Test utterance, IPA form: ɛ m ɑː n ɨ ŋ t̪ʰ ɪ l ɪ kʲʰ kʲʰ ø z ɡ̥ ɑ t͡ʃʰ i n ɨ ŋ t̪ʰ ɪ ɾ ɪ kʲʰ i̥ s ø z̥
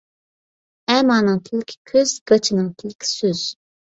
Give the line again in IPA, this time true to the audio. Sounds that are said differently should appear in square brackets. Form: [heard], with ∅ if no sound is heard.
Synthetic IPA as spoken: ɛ m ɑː n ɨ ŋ t̪ʰ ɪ l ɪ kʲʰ kʲʰ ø z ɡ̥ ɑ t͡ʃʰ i n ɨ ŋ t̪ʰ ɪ [l] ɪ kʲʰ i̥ s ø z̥